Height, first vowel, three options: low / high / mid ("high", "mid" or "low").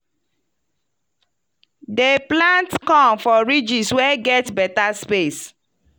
mid